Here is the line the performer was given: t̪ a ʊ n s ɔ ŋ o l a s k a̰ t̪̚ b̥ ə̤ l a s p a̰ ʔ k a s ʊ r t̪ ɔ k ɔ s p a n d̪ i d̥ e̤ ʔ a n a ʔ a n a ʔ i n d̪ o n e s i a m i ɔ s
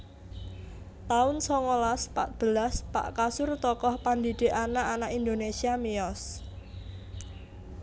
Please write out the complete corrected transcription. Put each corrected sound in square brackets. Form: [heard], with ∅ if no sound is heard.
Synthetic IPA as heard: t̪ a ʊ n s ɔ ŋ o l a s [p] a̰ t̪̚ b̥ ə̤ l a s p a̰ ʔ k a s ʊ r t̪ ɔ k ɔ [h] p a n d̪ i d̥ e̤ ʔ a n a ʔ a n a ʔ i n d̪ o n e s i a m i ɔ s